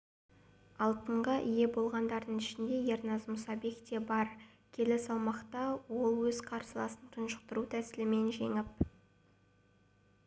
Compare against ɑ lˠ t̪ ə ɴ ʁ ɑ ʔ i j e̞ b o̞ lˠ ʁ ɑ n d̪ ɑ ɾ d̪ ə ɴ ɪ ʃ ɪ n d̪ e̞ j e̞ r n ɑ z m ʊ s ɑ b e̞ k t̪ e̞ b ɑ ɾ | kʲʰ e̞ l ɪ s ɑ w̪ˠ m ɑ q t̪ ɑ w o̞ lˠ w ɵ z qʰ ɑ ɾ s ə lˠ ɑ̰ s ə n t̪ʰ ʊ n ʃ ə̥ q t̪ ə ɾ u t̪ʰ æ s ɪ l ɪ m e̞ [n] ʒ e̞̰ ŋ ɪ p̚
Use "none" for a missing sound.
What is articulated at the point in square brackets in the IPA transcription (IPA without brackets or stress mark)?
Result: n